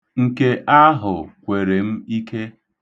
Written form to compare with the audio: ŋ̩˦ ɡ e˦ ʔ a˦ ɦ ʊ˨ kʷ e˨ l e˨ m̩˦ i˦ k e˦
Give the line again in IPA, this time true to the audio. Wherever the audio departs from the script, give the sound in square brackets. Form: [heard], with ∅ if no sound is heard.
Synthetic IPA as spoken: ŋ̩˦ [k] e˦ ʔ a˦ ɦ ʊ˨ kʷ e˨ [ɾ] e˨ m̩˦ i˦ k e˦